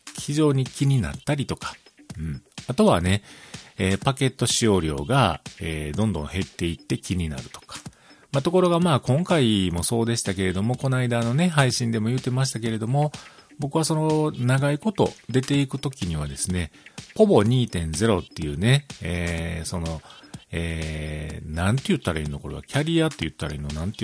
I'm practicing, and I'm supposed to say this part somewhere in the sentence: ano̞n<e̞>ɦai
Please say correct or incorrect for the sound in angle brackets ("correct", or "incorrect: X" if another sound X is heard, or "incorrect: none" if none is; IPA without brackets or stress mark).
correct